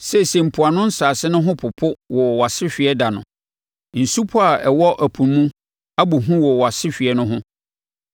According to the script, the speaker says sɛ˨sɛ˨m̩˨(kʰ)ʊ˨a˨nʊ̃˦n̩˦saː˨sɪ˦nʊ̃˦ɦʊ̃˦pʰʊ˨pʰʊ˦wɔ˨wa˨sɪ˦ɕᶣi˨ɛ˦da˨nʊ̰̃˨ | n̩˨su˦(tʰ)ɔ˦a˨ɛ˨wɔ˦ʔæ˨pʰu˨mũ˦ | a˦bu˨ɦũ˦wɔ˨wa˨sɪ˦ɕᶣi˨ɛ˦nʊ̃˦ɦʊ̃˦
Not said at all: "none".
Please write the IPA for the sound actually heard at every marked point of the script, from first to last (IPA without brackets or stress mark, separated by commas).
pʰ, pʰ